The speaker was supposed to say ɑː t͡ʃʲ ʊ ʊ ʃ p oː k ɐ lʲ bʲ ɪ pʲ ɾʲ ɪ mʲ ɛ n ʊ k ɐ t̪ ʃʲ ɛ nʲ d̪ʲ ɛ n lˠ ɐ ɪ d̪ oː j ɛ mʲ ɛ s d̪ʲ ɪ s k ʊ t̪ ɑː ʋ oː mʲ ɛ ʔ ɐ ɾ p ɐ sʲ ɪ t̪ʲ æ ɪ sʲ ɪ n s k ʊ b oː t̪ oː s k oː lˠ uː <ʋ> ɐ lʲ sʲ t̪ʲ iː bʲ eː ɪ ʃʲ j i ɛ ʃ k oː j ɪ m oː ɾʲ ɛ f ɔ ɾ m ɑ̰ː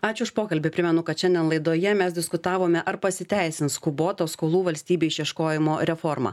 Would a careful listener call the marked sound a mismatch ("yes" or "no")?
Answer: no